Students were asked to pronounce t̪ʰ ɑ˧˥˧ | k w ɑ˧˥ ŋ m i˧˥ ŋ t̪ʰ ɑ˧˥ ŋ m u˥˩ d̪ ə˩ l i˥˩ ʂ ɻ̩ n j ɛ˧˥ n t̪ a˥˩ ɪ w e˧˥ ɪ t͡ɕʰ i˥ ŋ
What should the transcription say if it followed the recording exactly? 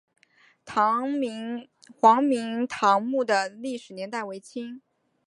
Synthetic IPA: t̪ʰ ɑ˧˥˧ | x w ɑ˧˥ ŋ m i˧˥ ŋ t̪ʰ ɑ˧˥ ŋ m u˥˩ d̪ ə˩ l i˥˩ ʂ ɻ̩ n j ɛ˧˥ n t̪ a˥˩ ɪ w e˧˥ ɪ t͡ɕʰ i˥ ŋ